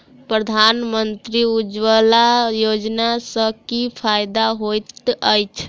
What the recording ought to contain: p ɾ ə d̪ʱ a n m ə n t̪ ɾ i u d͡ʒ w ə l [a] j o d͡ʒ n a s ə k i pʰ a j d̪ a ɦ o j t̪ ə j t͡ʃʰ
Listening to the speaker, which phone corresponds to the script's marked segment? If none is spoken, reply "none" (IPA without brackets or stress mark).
a